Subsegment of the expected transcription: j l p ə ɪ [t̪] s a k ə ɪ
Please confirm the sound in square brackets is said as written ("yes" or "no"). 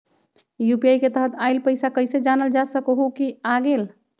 no